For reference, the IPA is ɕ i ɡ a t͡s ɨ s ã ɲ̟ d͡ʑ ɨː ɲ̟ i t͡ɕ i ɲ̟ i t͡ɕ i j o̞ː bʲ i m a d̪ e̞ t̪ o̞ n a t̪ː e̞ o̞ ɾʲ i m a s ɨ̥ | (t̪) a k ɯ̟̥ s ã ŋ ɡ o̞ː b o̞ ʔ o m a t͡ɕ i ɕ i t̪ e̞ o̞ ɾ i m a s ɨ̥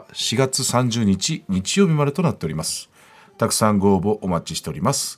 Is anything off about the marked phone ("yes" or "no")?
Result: no